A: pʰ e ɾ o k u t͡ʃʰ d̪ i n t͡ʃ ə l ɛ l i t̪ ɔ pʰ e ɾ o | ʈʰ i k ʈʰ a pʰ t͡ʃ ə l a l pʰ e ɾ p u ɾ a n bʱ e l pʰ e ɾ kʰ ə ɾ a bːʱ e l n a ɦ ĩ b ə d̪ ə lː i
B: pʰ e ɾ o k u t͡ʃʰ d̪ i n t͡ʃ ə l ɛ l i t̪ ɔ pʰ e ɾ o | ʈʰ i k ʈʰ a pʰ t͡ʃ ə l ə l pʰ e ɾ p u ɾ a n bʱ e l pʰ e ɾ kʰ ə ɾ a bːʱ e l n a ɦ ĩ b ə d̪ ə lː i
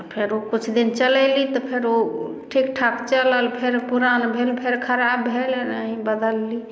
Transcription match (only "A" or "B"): B